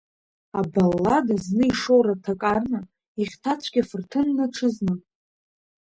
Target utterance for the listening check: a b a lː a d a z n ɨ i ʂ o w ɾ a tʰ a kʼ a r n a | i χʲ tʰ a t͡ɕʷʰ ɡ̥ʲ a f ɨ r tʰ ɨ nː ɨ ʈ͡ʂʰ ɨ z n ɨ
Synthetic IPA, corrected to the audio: a b a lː a d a z n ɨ i ʂ o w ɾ a tʰ a kʼ a r n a | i χʲ tʰ a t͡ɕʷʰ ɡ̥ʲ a f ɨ r tʰ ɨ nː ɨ ʈ͡ʂʰ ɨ z n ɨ